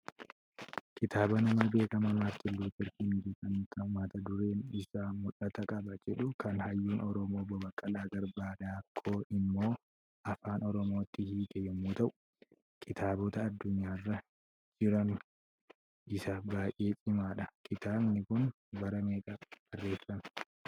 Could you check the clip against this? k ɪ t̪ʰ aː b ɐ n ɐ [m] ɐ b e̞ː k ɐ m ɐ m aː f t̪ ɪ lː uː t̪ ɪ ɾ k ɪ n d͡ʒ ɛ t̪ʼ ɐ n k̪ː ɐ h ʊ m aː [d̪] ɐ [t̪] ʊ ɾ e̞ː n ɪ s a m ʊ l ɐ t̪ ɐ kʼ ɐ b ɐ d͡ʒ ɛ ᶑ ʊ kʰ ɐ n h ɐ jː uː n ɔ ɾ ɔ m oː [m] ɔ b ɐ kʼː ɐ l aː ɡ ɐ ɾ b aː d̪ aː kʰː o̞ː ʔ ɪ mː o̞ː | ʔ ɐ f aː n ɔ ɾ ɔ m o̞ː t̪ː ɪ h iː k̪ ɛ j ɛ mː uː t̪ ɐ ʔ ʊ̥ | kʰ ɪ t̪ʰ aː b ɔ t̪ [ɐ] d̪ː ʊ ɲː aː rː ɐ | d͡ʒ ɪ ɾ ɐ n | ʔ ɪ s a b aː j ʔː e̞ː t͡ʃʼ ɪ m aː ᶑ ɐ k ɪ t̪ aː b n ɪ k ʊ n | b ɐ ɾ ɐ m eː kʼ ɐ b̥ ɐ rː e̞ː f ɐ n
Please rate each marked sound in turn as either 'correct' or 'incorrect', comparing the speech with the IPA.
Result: correct, incorrect, incorrect, incorrect, incorrect

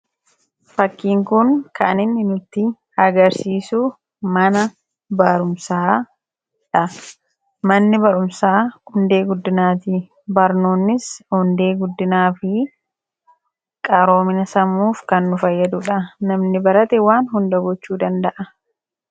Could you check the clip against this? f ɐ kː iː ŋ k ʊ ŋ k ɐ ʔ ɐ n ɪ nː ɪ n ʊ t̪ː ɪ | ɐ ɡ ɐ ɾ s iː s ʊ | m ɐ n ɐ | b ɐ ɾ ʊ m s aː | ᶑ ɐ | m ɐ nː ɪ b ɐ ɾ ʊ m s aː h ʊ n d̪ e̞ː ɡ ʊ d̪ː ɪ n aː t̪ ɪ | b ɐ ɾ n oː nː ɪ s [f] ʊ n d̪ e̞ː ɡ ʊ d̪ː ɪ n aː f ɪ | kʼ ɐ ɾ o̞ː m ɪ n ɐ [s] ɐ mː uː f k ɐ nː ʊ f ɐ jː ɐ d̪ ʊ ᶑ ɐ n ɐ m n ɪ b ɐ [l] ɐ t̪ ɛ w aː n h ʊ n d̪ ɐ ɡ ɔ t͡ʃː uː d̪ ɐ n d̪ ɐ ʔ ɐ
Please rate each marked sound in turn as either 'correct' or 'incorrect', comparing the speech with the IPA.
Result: incorrect, correct, incorrect

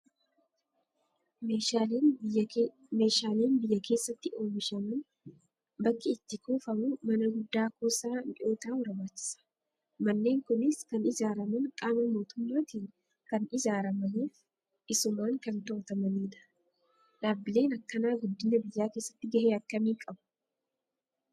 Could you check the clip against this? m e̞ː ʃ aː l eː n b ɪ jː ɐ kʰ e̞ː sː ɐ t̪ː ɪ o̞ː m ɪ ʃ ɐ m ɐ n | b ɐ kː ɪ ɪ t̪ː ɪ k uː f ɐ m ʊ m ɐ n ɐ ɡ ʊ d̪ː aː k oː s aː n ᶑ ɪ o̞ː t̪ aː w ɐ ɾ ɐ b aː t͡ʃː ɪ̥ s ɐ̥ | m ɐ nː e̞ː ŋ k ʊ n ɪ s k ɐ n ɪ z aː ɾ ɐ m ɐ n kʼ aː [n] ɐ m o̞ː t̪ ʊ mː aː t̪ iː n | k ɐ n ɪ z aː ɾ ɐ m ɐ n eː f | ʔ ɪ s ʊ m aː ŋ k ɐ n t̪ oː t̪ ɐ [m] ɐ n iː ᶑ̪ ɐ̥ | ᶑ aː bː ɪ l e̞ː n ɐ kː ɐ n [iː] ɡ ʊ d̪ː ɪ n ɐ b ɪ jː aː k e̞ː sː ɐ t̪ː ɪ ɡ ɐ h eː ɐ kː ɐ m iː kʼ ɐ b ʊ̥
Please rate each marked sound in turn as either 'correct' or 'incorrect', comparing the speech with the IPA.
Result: incorrect, correct, incorrect

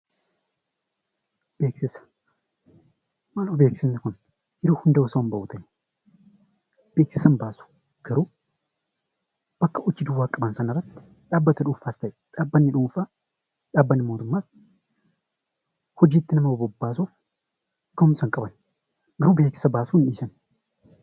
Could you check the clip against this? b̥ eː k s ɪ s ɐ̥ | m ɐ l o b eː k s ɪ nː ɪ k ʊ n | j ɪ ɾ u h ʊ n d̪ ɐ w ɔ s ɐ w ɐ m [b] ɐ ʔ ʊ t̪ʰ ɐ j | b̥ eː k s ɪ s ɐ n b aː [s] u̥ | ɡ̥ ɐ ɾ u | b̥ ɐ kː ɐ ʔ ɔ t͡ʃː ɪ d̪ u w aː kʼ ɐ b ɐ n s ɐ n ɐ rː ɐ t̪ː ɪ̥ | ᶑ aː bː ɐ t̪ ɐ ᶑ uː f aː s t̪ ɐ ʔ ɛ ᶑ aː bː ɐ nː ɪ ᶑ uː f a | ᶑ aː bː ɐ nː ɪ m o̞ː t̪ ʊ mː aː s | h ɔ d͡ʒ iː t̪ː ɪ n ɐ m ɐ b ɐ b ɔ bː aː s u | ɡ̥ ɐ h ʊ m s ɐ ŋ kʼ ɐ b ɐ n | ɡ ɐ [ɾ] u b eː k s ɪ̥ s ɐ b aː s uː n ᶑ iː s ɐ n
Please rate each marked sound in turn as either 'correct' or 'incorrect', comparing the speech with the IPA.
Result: correct, correct, correct

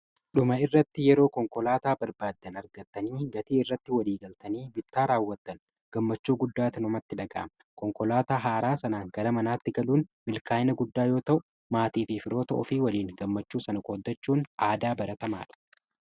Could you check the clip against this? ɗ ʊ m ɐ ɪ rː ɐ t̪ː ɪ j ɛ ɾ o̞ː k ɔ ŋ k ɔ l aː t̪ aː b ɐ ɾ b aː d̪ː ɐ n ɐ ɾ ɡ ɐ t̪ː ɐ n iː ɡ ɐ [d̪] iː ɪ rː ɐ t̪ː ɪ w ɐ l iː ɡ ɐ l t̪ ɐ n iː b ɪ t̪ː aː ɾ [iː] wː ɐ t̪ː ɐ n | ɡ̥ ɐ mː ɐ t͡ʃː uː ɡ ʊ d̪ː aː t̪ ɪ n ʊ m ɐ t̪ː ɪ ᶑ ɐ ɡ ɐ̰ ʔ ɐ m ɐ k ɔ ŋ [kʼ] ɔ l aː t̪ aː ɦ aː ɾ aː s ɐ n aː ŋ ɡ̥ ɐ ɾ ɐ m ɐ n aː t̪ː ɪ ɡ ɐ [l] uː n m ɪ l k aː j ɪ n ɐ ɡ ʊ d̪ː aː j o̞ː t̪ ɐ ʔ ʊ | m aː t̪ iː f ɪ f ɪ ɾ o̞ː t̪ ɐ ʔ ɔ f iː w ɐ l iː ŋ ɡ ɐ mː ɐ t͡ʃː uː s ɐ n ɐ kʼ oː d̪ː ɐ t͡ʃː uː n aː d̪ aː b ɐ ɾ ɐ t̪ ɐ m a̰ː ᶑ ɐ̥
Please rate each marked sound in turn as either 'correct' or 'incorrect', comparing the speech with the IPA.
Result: incorrect, incorrect, incorrect, correct

